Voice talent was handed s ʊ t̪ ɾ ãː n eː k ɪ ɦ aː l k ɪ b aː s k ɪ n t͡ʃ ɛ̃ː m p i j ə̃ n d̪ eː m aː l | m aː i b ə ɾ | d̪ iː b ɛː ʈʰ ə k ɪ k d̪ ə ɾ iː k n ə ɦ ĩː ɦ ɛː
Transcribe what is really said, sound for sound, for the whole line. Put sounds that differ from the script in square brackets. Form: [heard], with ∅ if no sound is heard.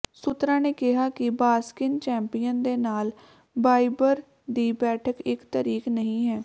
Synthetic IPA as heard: s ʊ t̪ ɾ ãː n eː k ɪ ɦ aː [∅] k ɪ b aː s k ɪ n t͡ʃ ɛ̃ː m p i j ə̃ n d̪ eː [n] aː l | [b] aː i b ə ɾ | d̪ iː b ɛː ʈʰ ə k ɪ k [t̪] ə ɾ iː k n ə ɦ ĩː ɦ ɛː